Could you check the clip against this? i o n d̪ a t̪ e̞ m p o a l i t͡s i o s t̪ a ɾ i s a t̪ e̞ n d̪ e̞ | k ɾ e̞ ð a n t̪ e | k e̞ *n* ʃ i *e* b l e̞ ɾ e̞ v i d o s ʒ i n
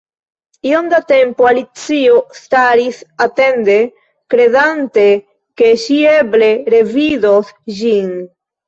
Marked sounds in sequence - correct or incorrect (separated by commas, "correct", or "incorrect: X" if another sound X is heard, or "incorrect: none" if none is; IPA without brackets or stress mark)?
incorrect: none, correct